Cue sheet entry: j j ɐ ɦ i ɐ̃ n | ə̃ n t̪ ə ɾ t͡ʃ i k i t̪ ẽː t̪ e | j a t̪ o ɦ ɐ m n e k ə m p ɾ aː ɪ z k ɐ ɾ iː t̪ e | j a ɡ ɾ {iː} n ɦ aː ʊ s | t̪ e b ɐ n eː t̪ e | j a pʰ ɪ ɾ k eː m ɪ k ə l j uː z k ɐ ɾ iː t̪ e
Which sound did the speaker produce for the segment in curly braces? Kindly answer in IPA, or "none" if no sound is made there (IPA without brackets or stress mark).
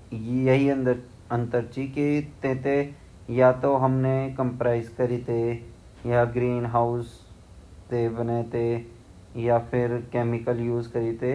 iː